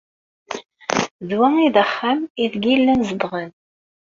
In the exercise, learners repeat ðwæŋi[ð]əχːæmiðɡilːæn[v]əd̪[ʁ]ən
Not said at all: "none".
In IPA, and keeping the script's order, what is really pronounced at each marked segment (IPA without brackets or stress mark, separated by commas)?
ð, z, ʁ